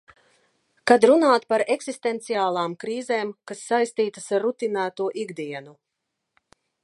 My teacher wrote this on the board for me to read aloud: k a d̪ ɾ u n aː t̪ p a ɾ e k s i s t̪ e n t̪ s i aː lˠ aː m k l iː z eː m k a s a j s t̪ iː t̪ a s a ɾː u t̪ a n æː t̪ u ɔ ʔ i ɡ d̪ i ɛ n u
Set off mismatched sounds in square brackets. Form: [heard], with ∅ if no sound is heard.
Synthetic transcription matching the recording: k a d̪ ɾ u n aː t̪ p a ɾ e k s i s t̪ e n t̪ s i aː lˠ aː m k [ɾ] iː z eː m k a [sː] a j s t̪ iː t̪ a s a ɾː u t̪ [i] n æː t̪ u ɔ ʔ i ɡ d̪ i ɛ n u